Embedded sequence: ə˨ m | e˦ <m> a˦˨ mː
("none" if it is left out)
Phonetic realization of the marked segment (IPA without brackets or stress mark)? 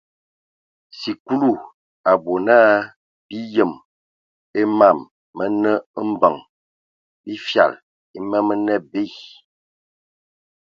m